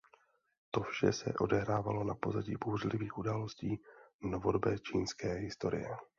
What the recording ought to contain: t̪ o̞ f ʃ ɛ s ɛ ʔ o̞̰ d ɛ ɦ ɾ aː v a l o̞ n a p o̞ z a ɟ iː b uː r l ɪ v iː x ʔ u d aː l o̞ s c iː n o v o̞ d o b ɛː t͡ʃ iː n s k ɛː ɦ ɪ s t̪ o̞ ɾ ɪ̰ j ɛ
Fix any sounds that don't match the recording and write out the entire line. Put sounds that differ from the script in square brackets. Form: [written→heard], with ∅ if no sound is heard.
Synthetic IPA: t̪ o̞ f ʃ ɛ s ɛ ʔ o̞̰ d ɛ ɦ ɾ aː v a l o̞ n a p o̞ z a ɟ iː b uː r l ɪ v iː x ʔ u d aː l o̞ s c iː n o v o̞ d o b ɛː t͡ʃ iː n s k ɛː ɦ ɪ s t̪ o̞ ɾ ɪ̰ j ɛ